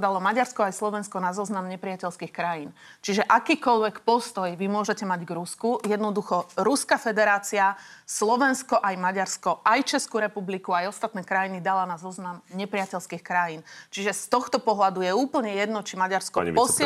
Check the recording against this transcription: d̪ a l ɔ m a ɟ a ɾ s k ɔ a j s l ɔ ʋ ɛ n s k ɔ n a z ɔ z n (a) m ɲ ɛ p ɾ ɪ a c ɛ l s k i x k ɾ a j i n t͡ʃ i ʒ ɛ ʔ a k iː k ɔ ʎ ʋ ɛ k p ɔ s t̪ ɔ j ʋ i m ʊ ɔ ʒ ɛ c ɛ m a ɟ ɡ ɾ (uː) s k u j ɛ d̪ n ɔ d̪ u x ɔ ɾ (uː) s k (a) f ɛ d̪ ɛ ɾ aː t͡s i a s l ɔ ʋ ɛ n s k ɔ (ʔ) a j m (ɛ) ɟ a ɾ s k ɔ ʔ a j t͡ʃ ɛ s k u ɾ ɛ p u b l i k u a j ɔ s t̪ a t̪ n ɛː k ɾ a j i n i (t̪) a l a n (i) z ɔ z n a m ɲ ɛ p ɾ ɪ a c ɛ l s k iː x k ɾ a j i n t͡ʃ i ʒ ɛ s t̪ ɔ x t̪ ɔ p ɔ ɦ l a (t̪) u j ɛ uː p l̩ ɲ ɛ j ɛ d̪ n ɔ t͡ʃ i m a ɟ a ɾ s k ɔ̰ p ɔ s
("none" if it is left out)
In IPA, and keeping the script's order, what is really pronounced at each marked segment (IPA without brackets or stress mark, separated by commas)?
a, u, u, a, ʔ, a, d̪, a, d̪